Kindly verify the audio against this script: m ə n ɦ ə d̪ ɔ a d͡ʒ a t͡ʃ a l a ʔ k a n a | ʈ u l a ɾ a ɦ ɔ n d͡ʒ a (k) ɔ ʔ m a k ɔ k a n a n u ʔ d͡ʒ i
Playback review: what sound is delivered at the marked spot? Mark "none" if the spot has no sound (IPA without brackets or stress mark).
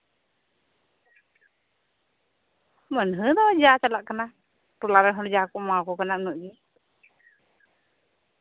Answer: k